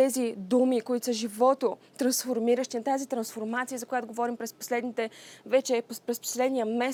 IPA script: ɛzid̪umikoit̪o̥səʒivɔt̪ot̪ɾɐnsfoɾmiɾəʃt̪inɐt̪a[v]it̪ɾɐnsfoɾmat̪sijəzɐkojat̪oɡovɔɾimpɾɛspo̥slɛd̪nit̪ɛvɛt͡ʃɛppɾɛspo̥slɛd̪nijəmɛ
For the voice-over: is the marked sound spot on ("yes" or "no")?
no